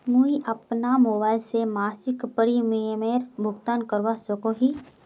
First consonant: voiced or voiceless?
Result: voiced